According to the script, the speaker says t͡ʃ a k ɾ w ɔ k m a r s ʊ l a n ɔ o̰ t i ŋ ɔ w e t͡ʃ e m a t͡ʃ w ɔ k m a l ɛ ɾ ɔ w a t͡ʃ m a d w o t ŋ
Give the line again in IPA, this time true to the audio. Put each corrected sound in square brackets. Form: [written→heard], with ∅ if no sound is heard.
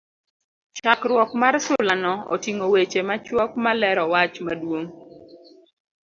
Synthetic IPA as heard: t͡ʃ a k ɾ w ɔ k m a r s ʊ l a n ɔ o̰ t i ŋ [ɔ→o] w e t͡ʃ e m a t͡ʃ w ɔ k m a l ɛ ɾ ɔ w a t͡ʃ m a d w o [t→∅] ŋ